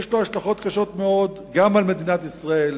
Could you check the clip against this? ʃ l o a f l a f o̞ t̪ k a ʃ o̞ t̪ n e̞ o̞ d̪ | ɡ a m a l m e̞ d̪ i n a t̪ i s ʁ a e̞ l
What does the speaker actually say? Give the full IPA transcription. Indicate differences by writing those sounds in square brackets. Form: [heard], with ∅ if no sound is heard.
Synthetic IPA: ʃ l o a [ʃ] l a [χ] o̞ t̪ k a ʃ o̞ t̪ [m] e̞ o̞ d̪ | ɡ a m a l m e̞ d̪ i n a t̪ i s ʁ a e̞ l